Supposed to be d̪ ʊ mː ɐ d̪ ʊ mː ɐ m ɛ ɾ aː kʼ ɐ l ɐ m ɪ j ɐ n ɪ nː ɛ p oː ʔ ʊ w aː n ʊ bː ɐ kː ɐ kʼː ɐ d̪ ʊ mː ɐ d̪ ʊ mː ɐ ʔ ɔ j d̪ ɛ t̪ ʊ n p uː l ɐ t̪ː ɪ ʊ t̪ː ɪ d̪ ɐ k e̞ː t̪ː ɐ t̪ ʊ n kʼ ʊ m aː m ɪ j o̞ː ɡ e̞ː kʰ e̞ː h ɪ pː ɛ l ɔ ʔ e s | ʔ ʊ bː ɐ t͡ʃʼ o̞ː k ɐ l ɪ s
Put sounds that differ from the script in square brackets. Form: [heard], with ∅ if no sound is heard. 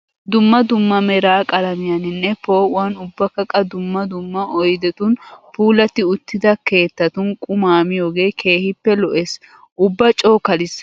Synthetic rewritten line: d̪ ʊ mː ɐ d̪ ʊ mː ɐ m ɛ ɾ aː kʼ ɐ l ɐ m ɪ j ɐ n ɪ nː ɛ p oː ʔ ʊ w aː n ʊ bː ɐ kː ɐ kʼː ɐ d̪ ʊ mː ɐ d̪ ʊ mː ɐ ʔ ɔ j d̪ ɛ t̪ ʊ n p uː l ɐ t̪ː ɪ ʊ t̪ː ɪ d̪ ɐ k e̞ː t̪ː ɐ t̪ ʊ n kʼ ʊ m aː m ɪ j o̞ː ɡ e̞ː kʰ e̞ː h ɪ pː ɛ l ɔ ʔ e s | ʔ ʊ bː ɐ t͡ʃʼ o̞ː k ɐ l ɪ s